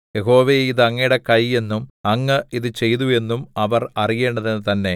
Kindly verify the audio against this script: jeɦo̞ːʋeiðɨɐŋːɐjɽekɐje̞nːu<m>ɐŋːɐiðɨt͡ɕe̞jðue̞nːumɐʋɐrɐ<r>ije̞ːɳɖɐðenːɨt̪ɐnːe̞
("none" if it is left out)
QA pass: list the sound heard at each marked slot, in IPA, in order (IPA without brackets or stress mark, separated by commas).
m, r